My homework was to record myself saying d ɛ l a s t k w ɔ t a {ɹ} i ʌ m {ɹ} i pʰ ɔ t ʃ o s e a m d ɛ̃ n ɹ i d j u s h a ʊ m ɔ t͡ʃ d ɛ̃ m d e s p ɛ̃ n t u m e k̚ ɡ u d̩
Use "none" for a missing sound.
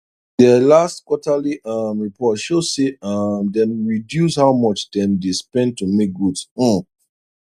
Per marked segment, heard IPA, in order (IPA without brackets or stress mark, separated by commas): l, ɹ